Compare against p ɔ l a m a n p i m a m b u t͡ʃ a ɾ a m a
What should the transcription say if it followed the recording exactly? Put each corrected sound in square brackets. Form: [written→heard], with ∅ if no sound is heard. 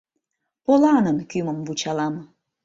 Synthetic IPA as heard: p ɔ l a [m→n] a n [p→k] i m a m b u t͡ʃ a [ɾ→l] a m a